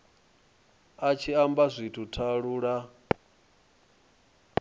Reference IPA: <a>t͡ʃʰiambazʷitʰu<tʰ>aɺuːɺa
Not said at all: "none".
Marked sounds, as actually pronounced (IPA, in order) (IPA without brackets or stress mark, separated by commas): a, tʰ